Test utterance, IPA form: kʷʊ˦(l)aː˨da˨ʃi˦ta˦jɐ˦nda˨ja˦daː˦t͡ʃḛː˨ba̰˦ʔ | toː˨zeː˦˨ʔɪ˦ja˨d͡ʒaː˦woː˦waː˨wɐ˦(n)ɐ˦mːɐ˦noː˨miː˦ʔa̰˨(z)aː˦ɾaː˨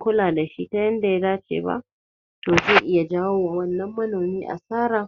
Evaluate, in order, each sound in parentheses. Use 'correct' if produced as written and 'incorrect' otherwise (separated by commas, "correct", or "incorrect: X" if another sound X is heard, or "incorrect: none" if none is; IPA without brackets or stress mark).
correct, incorrect: nː, incorrect: s